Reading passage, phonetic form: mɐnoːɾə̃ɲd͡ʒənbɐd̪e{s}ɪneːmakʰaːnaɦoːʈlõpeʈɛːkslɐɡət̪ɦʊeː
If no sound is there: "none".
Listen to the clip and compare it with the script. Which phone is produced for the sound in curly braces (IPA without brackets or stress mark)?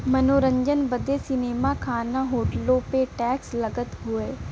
s